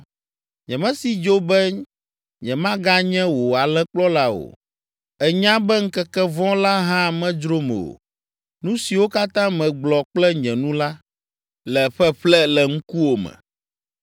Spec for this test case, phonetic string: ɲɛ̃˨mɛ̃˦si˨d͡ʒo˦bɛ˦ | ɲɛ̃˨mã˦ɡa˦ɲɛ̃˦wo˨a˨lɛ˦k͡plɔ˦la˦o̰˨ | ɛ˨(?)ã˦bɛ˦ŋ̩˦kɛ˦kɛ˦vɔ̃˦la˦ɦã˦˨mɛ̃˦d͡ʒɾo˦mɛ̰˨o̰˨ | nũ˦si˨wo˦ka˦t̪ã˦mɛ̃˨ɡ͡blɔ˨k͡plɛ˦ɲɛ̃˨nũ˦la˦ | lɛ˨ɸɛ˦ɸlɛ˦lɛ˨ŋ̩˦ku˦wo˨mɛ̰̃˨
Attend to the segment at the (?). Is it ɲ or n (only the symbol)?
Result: ɲ